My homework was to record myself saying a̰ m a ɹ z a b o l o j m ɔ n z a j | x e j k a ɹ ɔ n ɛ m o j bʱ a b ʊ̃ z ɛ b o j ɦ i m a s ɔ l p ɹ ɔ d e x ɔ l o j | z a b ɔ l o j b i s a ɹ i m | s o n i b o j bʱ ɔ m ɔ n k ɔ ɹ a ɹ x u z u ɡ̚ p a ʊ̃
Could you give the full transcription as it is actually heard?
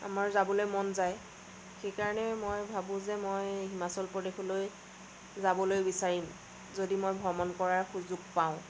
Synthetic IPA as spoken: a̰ m a ɹ z a b ɔ l o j m ɔ n z a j | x e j k a ɹ ɔ n ɛ m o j bʱ a b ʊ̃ z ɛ m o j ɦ i m a s ɔ l p ɹ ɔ d e x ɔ l o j | z a b ɔ l o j b i s a ɹ i m | z o d i m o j bʱ ɔ m ɔ n k ɔ ɹ a ɹ x u z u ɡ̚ p a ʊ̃